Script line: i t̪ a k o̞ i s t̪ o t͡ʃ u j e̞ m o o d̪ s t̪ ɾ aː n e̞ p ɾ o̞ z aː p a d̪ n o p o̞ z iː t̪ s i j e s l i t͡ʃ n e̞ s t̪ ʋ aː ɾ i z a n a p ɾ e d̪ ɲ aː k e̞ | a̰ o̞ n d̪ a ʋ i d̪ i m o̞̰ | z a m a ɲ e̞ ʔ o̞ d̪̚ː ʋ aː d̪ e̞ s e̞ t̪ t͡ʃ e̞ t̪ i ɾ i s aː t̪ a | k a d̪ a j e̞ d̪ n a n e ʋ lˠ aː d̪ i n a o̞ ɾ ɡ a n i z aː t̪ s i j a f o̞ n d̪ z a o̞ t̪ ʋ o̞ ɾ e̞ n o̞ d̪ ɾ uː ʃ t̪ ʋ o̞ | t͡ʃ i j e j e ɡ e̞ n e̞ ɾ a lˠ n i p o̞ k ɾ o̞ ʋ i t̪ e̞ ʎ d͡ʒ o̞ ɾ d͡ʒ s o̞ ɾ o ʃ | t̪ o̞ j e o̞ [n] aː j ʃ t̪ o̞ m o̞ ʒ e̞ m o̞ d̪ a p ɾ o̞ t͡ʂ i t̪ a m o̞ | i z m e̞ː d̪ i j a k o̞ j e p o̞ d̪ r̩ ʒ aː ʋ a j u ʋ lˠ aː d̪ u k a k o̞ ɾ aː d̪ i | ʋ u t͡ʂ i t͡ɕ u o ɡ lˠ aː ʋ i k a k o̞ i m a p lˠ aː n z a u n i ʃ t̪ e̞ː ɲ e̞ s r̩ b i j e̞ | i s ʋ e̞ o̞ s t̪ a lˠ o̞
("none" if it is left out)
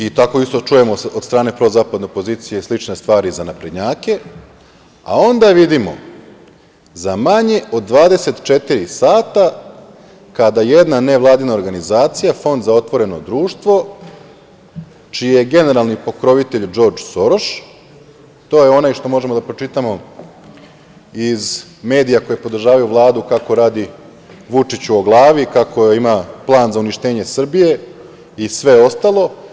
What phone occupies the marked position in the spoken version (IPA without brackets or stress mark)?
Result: n